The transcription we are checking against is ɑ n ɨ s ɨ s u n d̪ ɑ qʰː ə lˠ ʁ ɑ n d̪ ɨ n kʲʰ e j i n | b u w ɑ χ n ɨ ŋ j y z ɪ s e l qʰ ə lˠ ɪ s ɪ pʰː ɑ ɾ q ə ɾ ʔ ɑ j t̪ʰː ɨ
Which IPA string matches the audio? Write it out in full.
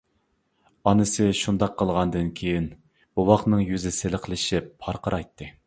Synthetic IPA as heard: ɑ n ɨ s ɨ ʃ u n d̪ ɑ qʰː ə lˠ ʁ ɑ n d̪ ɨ n kʲʰ e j i n | b u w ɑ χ n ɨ ŋ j y z ɪ s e l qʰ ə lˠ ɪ ʃ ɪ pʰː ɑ ɾ q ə ɾ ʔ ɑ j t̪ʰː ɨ